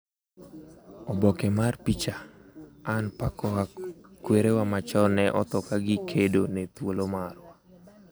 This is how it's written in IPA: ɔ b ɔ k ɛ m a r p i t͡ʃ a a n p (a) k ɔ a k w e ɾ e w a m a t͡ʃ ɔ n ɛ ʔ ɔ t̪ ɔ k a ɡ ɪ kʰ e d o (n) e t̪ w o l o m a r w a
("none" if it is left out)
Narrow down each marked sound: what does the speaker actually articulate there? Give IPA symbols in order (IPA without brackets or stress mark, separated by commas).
a, n